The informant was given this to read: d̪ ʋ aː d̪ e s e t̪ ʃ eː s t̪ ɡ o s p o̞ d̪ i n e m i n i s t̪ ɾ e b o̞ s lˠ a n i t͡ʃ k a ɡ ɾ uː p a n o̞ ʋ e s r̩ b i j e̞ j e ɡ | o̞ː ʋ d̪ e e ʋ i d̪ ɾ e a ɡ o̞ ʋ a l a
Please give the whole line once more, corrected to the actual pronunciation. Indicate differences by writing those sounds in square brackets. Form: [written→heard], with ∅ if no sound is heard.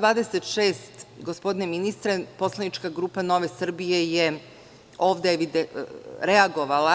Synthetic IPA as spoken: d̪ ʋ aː d̪ e s e t̪ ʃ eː s t̪ ɡ o s p o̞ d̪ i n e m i n i s t̪ ɾ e [b→p] o̞ s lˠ a n i t͡ʃ k a ɡ ɾ uː p a n o̞ ʋ e s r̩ b i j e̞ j e [ɡ→∅] | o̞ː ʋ d̪ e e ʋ i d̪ ɾ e a ɡ o̞ ʋ a l a